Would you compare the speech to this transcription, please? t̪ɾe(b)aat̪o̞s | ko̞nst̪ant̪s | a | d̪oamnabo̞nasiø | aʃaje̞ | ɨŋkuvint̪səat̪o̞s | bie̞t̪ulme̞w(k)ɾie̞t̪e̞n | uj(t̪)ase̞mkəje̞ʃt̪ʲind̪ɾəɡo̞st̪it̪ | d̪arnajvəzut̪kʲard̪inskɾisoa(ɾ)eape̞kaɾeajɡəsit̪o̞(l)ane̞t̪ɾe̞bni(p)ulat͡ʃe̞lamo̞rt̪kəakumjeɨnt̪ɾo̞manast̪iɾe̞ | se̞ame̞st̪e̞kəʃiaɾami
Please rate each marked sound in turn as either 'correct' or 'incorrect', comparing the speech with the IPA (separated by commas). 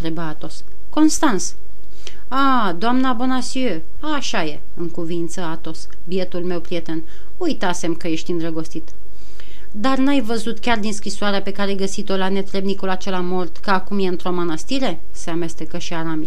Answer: correct, incorrect, correct, correct, correct, incorrect